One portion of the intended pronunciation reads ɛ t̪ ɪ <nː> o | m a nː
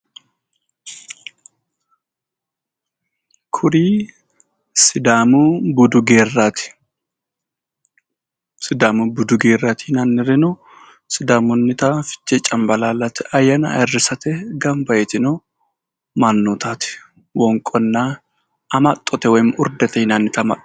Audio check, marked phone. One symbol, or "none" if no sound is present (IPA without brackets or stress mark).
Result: n